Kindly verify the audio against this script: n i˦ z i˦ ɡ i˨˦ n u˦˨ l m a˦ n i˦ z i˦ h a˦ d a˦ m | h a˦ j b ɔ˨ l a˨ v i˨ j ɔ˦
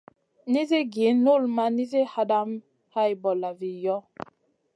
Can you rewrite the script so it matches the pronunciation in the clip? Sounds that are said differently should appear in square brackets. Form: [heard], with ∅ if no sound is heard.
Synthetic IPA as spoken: n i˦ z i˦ ɡ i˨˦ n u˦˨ l m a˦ n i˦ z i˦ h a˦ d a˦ m | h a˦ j b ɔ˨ l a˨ v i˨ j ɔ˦